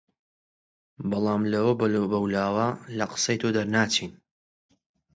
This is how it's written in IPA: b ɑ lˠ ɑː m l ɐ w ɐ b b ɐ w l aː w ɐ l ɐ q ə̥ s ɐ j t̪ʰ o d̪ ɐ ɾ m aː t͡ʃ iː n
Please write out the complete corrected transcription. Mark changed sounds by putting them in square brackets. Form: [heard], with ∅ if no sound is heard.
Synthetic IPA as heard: b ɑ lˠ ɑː m l ɐ w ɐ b b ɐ w l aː w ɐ l ɐ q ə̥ s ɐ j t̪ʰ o d̪ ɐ ɾ [n] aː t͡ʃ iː n